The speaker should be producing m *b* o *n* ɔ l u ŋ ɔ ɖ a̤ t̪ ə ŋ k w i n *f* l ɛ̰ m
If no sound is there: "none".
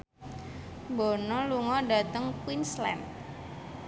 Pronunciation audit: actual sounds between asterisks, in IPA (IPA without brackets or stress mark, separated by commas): b, n, s